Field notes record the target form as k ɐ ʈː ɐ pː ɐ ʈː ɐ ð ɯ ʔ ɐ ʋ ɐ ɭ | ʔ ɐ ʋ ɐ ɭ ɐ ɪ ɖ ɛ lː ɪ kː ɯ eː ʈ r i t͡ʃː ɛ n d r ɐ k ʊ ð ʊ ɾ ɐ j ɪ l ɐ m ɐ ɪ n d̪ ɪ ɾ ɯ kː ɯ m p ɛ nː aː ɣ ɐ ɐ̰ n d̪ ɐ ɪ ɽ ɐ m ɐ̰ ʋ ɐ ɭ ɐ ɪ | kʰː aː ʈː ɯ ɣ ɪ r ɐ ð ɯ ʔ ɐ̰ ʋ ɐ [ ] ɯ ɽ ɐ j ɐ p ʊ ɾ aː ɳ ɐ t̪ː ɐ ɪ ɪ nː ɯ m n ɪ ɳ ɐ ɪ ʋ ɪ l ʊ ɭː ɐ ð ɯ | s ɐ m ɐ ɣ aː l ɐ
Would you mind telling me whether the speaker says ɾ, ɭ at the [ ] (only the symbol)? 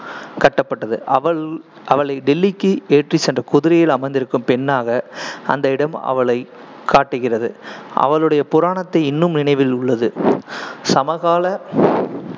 ɭ